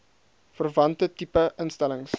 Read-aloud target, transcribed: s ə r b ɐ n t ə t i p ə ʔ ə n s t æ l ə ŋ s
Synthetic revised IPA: f ə r v ɐ n t ə t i p ə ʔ ə n s t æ l ə ŋ s